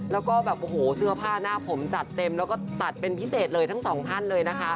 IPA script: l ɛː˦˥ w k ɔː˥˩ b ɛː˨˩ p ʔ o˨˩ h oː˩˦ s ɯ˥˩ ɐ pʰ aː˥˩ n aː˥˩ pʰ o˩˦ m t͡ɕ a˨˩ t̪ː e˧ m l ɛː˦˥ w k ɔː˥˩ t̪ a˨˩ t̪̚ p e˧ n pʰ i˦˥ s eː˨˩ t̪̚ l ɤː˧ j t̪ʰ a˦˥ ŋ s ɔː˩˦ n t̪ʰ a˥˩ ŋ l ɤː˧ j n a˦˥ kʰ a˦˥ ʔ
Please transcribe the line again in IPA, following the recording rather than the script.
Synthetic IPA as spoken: l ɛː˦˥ w k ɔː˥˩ b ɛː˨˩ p ʔ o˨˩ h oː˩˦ s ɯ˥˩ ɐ pʰ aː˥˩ n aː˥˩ pʰ o˩˦ m t͡ɕ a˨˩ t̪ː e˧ m l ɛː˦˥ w k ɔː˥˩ t̪ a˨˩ t̪̚ p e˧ n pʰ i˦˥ s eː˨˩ t̪̚ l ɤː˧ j t̪ʰ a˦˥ ŋ s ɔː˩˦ ŋ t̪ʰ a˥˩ n l ɤː˧ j n a˦˥ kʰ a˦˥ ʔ

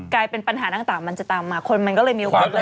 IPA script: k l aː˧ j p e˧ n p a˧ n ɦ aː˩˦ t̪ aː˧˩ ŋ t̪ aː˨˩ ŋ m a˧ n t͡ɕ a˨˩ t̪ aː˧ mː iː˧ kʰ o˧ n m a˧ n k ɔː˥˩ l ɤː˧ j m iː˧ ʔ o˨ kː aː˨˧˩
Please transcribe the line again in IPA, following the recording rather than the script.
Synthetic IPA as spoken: k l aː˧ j p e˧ n p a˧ n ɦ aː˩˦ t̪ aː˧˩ ŋ t̪ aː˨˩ ŋ m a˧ n t͡ɕ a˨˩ t̪ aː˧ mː aː˧ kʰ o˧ n m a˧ n k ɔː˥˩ l ɤː˧ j m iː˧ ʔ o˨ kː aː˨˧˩

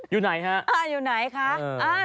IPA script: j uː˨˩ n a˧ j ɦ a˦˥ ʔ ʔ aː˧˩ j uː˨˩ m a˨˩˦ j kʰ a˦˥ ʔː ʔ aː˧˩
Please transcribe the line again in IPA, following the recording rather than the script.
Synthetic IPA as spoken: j uː˨˩ n a˩˦ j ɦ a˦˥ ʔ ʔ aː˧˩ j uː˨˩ n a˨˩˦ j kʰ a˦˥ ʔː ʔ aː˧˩

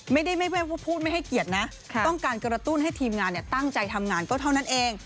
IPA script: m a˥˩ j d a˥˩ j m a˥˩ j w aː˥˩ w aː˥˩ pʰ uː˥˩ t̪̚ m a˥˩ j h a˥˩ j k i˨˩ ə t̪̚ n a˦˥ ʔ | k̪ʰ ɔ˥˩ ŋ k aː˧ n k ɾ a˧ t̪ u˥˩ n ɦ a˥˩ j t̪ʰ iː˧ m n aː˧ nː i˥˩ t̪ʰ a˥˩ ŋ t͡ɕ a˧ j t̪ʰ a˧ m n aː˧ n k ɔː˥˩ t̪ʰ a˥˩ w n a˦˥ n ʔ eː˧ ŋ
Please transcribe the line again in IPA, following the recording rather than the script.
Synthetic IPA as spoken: m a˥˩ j d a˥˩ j m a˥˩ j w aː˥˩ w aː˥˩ pʰ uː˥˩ t̪̚ m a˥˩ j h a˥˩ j k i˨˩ ə t̪̚ n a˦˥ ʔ | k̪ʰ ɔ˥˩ ŋ k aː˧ n k ɾ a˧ t̪ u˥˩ n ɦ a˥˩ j t̪ʰ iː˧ m ŋ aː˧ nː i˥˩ t̪ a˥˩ ŋ t͡ɕ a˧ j t̪ʰ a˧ m ŋ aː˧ n k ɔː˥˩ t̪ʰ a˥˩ w n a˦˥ n ʔ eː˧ ŋ

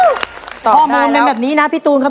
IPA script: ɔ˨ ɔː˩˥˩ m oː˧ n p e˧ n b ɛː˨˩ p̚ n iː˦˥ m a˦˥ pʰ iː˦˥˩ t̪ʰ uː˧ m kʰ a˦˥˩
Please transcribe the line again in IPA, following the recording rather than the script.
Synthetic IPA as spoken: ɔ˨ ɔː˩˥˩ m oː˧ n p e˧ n b ɛː˨˩ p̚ n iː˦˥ n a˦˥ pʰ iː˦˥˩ t̪ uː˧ n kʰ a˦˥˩

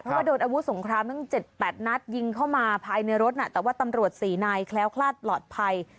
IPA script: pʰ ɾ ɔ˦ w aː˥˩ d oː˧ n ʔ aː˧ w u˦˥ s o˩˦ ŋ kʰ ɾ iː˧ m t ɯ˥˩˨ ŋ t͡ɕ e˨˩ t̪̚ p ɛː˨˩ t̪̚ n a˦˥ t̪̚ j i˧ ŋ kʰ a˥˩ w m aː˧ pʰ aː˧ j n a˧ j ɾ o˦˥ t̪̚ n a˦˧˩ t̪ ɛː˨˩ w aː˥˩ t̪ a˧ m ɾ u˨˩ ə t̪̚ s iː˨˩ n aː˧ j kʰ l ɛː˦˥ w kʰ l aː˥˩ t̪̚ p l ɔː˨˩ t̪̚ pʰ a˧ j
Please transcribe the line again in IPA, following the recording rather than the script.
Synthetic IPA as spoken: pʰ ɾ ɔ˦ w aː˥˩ d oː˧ n ʔ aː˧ w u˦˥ s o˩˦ ŋ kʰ ɾ aː˧ m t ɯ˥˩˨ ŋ t͡ɕ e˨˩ t̪̚ p ɛː˨˩ t̪̚ n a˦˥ t̪̚ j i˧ ŋ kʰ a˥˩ w m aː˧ pʰ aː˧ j n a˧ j ɾ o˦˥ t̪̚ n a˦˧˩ t̪ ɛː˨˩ w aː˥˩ t̪ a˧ m ɾ u˨˩ ə t̪̚ s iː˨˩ n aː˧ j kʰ l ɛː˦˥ w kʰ l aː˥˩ t̪̚ p l ɔː˨˩ t̪̚ pʰ a˧ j

